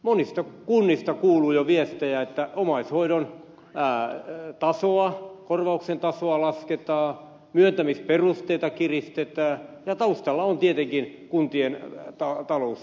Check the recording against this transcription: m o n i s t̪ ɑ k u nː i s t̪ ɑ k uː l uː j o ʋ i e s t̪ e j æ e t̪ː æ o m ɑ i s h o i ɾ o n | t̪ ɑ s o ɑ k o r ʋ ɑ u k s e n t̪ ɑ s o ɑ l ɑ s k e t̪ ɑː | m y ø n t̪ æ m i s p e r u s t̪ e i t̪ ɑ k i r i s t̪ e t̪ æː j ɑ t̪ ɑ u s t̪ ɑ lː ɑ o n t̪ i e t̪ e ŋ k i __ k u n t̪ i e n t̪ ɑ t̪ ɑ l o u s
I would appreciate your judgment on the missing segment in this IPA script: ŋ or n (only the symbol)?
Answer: n